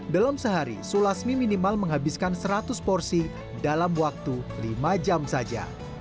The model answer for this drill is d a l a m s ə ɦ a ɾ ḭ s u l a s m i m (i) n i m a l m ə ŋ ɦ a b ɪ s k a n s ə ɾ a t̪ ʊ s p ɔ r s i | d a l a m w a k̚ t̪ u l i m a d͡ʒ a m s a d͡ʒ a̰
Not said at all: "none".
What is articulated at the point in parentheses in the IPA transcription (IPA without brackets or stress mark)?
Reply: i